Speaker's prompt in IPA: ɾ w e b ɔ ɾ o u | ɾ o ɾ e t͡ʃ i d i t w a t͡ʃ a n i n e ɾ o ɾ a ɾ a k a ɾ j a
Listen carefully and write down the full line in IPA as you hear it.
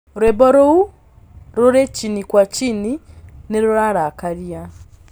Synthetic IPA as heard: ɾ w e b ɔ ɾ o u | ɾ o ɾ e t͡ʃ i n i k w a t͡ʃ i n i n e ɾ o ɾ a ɾ a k a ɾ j a